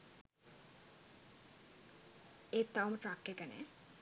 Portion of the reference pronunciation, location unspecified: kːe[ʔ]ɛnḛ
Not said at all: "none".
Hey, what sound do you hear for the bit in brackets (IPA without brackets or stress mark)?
k